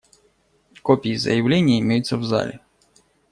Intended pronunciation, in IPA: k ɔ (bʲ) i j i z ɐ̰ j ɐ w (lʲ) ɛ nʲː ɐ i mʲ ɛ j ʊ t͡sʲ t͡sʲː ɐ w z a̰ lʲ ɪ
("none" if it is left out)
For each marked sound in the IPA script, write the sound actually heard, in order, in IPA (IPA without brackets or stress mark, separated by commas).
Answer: pʲ, lʲ